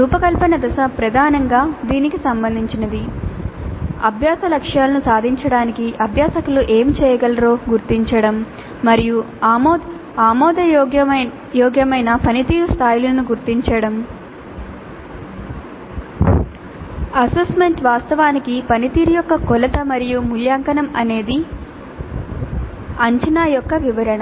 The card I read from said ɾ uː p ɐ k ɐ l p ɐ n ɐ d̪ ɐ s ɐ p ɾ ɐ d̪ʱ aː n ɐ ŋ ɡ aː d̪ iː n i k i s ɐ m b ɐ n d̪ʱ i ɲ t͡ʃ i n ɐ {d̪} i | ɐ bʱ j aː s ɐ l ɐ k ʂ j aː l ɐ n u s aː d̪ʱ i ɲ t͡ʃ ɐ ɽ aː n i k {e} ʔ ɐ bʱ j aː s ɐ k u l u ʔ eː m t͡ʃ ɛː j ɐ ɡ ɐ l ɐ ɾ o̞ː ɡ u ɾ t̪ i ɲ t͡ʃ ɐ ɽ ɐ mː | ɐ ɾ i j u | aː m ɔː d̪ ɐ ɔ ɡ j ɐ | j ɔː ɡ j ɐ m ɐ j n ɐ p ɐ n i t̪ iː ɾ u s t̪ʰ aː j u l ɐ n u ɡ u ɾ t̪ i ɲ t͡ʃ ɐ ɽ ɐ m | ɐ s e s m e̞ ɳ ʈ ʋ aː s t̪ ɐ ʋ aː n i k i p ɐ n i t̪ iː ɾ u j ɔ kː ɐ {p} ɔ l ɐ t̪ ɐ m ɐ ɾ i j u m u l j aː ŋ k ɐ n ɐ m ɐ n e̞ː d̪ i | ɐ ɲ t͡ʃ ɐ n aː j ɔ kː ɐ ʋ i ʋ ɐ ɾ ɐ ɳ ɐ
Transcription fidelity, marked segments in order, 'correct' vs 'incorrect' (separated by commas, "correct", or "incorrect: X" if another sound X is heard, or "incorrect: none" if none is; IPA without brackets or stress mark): correct, incorrect: i, incorrect: k